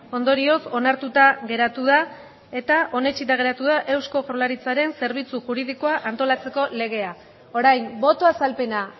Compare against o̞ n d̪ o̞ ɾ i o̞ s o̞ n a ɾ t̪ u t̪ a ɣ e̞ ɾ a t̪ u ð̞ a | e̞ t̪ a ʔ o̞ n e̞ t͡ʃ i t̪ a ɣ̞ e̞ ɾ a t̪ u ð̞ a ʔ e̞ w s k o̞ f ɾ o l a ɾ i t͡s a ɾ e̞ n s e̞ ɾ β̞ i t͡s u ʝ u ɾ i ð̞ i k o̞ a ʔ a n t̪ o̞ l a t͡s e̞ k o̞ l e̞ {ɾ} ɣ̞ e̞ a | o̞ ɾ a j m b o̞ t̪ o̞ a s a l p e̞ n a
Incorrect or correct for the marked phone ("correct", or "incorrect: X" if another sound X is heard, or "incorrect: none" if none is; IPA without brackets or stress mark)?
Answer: incorrect: none